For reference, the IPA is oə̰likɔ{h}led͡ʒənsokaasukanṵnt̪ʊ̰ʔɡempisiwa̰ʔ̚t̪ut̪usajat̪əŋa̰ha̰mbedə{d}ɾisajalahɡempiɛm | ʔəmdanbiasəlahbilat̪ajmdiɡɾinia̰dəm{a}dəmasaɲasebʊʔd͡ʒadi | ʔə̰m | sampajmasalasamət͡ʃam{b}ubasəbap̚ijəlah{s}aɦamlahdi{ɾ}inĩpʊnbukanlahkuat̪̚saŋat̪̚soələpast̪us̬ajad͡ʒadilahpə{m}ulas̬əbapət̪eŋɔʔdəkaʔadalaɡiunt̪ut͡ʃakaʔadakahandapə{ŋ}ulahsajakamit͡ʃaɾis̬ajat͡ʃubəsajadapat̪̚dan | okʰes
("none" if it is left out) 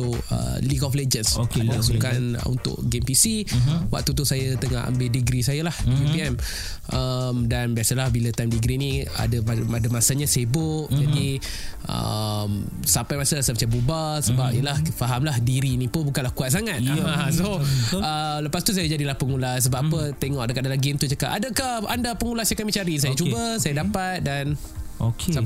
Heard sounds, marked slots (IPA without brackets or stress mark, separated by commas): f, ɡ, a, b, f, ɾ, ŋ, ŋ